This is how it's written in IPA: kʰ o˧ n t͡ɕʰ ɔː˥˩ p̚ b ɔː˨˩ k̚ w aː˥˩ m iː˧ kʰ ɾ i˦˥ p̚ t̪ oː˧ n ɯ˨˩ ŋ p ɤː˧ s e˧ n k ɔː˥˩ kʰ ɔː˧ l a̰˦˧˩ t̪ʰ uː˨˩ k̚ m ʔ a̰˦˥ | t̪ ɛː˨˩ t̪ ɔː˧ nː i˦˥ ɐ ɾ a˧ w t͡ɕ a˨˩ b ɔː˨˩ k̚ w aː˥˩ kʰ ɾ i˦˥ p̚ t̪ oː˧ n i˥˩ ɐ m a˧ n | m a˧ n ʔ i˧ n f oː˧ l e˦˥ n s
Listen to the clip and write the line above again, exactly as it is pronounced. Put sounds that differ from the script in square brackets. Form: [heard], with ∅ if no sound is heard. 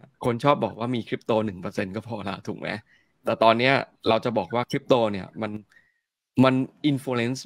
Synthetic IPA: kʰ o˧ n t͡ɕʰ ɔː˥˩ p̚ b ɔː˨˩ k̚ w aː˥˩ m iː˧ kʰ ɾ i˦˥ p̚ t̪ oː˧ n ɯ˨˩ ŋ p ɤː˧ s e˧ n k ɔː˥˩ [pʰ] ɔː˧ l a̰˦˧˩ t̪ʰ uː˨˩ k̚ m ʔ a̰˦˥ | t̪ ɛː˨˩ t̪ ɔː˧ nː i˦˥ ɐ ɾ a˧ w t͡ɕ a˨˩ b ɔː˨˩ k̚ w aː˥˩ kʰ ɾ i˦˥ p̚ t̪ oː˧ n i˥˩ ɐ m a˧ n | m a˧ n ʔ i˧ n f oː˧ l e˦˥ n s